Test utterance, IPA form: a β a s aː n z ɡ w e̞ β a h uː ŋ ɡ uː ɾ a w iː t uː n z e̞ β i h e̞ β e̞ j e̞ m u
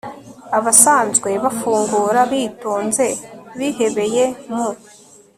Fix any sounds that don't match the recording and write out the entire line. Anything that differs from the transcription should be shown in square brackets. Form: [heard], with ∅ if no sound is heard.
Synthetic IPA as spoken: a β a s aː n z ɡ w e̞ β a [f] uː ŋ ɡ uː ɾ a [β] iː t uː n z e̞ β i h e̞ β e̞ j e̞ m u